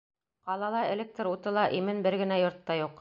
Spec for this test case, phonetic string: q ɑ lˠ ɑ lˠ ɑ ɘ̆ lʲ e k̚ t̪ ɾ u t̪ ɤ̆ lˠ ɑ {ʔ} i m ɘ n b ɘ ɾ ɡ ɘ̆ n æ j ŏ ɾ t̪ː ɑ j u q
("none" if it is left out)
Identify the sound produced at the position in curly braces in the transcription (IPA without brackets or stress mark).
ʔ